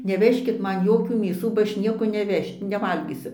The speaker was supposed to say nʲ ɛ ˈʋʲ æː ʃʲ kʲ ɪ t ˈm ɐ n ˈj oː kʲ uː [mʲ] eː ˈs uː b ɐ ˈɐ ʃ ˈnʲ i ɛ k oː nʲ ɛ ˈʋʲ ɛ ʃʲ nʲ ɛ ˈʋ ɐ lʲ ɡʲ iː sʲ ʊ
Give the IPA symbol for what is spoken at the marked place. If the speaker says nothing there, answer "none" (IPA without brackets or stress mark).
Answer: mʲ